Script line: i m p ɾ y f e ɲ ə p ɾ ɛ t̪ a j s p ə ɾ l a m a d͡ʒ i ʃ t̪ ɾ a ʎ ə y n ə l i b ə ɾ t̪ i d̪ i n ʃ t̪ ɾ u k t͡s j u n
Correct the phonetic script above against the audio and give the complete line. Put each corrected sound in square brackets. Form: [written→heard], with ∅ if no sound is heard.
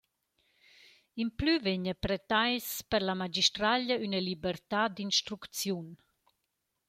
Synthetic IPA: i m p [ɾ→l] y [f→v] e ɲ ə p ɾ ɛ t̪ a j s p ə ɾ l a m a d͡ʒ i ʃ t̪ ɾ a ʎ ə y n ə l i b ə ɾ t̪ [i→a] d̪ i n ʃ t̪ ɾ u k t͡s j u n